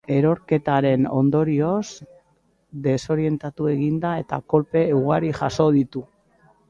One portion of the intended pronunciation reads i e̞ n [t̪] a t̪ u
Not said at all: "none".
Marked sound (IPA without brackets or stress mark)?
t̪